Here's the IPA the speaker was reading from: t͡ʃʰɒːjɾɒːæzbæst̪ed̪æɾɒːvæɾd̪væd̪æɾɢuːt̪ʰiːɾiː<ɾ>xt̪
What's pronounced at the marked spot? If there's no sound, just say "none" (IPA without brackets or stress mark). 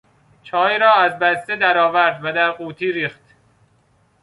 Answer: none